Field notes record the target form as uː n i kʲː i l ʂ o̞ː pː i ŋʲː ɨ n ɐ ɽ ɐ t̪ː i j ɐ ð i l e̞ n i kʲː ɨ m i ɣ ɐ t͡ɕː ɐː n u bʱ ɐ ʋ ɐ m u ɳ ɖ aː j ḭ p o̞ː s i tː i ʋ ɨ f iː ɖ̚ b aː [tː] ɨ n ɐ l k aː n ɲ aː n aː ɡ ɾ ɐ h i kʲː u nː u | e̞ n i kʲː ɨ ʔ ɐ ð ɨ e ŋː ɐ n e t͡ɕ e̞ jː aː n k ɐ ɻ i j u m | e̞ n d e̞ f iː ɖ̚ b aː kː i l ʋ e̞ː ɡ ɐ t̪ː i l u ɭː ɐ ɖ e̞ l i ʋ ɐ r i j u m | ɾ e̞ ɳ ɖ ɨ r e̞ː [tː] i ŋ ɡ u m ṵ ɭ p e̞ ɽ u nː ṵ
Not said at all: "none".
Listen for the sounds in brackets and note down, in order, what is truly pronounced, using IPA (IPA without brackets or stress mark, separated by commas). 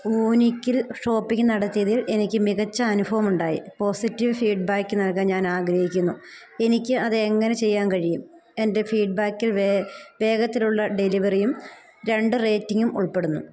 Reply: kː, tː